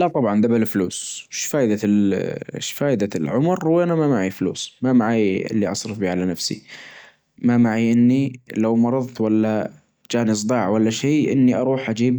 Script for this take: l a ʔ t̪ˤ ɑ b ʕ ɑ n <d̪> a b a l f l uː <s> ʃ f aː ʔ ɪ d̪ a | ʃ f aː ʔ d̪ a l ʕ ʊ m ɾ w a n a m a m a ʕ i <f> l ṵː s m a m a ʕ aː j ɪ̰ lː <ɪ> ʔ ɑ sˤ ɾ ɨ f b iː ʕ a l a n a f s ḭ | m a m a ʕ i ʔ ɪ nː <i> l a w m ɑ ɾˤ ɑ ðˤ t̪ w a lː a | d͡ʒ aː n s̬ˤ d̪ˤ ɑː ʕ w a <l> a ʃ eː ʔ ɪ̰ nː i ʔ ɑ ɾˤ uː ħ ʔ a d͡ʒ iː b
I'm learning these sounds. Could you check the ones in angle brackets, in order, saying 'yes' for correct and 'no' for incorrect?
yes, yes, yes, no, yes, no

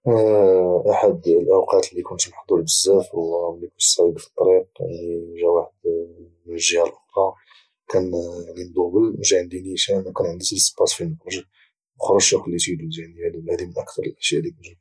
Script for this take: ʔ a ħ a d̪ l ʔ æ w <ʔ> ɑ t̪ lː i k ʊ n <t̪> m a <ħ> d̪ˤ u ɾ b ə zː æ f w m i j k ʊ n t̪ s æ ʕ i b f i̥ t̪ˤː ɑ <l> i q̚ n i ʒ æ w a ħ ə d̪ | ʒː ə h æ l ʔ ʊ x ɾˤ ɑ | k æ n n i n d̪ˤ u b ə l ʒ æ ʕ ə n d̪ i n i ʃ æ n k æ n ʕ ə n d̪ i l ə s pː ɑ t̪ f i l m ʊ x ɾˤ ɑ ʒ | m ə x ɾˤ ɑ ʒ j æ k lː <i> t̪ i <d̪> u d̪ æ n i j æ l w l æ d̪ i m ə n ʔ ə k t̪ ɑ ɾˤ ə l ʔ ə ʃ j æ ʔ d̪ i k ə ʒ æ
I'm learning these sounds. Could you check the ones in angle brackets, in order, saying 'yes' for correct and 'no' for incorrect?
no, yes, yes, no, yes, yes

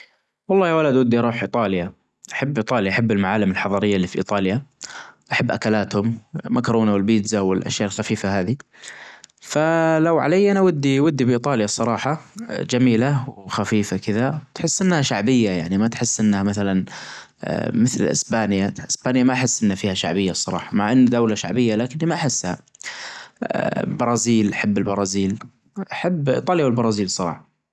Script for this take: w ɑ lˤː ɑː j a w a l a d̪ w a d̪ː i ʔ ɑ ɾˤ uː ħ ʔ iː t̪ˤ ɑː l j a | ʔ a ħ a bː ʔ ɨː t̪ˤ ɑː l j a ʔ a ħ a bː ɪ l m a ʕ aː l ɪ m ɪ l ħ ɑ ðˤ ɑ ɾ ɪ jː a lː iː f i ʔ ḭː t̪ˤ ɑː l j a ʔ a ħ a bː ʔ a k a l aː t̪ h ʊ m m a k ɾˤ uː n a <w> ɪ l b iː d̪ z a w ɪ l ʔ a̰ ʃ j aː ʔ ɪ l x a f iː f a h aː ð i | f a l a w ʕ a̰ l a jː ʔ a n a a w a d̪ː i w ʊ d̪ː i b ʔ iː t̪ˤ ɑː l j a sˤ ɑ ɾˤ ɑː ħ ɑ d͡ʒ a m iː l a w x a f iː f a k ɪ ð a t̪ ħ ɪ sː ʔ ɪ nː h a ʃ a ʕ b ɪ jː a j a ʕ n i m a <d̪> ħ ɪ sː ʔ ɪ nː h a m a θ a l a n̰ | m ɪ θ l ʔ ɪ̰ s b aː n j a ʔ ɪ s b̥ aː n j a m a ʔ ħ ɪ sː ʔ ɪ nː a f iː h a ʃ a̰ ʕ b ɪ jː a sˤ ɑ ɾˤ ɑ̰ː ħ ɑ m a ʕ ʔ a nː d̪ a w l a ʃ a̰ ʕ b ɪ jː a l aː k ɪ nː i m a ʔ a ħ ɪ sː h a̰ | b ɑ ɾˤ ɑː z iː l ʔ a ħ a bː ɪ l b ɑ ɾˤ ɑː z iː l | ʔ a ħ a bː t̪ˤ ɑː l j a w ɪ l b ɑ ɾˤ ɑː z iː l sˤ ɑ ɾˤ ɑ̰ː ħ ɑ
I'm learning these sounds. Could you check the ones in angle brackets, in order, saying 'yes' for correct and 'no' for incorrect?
yes, no

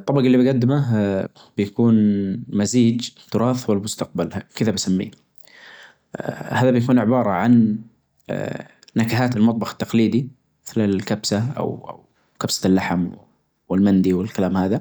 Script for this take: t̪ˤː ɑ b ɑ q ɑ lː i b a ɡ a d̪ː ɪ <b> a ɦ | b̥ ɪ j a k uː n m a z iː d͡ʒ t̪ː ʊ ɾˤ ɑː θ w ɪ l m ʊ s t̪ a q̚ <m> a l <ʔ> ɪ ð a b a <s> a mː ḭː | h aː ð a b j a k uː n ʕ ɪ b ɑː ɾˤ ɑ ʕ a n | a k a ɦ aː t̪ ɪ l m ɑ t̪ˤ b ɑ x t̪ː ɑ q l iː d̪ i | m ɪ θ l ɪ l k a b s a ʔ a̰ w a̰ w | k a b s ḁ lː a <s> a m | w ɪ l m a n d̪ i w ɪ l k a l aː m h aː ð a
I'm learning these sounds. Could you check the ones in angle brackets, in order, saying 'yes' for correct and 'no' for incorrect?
no, no, no, yes, no

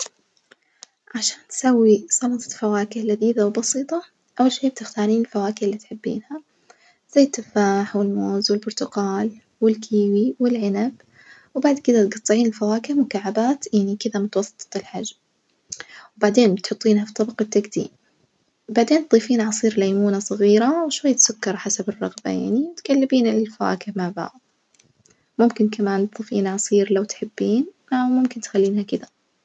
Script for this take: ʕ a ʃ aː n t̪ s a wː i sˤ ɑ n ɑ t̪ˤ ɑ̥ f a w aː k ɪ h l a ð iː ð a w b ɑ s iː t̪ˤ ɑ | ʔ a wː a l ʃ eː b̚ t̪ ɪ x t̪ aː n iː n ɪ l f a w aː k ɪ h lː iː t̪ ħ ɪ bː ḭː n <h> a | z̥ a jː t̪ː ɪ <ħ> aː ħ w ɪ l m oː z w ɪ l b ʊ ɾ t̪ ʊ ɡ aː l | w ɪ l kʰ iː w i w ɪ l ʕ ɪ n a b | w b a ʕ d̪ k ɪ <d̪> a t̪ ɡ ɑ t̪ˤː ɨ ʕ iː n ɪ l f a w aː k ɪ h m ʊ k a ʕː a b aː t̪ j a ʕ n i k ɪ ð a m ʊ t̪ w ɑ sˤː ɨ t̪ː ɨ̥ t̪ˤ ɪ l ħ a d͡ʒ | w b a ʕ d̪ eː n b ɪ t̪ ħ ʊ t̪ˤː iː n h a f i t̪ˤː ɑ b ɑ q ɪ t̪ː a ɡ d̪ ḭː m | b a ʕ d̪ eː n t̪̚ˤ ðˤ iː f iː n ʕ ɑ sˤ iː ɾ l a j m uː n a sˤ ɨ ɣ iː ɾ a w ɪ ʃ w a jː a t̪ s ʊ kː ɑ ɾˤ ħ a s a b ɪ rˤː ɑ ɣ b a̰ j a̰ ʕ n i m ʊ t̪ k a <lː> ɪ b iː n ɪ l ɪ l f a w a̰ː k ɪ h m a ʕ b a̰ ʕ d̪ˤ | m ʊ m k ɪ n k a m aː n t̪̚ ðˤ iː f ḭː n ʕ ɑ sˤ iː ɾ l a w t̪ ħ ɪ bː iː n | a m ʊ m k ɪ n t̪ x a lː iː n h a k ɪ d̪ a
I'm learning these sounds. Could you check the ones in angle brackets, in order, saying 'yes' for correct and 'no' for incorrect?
yes, no, yes, yes

